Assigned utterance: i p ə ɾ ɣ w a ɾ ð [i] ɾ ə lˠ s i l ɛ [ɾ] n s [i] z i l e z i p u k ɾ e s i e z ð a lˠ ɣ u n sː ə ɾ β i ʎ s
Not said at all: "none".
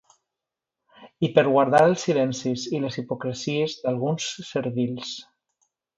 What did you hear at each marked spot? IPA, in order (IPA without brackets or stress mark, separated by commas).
a, none, i